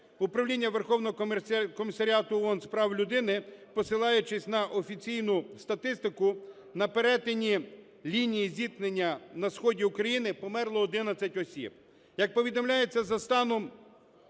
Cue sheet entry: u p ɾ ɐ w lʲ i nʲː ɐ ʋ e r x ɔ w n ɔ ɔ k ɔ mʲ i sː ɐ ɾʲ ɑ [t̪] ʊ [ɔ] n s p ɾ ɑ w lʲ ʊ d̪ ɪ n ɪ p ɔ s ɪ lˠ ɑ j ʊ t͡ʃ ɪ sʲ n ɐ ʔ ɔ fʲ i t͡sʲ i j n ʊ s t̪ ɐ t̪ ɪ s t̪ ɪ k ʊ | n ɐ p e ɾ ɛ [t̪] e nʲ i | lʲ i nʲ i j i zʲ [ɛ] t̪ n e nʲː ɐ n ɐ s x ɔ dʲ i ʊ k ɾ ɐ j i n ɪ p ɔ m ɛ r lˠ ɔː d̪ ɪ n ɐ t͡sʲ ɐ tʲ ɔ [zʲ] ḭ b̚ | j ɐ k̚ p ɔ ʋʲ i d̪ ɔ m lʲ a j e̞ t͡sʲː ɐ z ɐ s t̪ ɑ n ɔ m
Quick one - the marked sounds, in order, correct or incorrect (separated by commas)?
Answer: correct, correct, correct, incorrect, incorrect